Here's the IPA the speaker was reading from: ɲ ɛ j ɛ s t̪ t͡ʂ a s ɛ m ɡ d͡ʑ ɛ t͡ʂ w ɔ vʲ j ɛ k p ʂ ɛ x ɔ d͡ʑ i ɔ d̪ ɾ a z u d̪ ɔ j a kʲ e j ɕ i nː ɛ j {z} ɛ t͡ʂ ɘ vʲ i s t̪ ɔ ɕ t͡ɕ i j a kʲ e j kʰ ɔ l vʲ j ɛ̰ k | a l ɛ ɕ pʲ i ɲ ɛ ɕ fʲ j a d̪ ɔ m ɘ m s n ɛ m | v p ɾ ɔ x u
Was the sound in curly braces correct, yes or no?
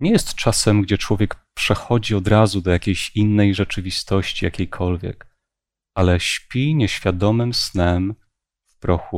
no